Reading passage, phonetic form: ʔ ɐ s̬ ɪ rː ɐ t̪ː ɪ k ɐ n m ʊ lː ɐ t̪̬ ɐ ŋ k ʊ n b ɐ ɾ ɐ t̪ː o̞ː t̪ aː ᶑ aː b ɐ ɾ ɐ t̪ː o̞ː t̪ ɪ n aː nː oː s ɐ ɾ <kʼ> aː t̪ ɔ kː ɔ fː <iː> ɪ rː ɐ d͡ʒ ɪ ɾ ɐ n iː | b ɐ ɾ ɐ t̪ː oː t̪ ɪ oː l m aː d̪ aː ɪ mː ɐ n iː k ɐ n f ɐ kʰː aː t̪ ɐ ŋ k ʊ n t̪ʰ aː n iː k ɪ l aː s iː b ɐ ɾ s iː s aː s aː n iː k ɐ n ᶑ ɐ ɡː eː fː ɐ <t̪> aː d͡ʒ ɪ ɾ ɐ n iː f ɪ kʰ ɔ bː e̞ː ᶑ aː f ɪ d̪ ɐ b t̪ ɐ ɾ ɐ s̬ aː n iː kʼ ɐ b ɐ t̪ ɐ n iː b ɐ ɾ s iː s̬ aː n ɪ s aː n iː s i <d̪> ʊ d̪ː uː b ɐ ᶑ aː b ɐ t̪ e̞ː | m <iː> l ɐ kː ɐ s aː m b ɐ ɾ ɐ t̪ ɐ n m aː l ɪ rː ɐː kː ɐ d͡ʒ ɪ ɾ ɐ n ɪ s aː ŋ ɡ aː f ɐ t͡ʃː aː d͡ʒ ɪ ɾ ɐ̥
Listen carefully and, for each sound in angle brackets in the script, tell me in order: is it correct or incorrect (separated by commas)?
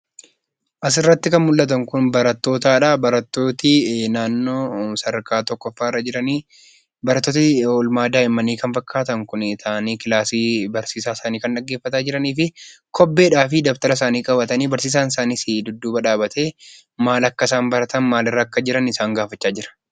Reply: incorrect, incorrect, correct, correct, incorrect